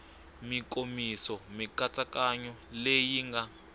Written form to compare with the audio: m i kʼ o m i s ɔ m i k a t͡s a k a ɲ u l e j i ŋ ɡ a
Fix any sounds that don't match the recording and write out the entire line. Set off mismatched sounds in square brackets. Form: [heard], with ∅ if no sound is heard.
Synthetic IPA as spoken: m i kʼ o m i s ɔ m i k a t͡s a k a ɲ [ɔ] l e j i ŋ ɡ a